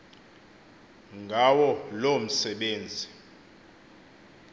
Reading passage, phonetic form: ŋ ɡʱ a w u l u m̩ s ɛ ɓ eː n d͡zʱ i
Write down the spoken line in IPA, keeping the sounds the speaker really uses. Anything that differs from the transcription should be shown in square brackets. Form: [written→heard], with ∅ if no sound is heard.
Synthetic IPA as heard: ŋ ɡʱ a w [u→ɔ] l [u→o] m̩ s ɛ ɓ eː n d͡zʱ i